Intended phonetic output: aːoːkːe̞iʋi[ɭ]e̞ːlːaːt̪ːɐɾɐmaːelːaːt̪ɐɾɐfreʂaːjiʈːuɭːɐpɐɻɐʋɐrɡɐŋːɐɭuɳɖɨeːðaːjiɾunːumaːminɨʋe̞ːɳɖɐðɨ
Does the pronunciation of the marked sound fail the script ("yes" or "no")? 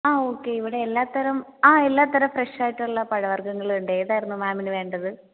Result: yes